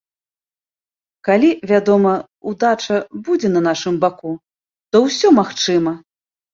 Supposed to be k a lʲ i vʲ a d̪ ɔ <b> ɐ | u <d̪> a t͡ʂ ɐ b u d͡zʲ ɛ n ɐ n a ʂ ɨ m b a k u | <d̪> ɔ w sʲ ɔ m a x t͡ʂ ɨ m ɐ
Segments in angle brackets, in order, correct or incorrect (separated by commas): incorrect, correct, incorrect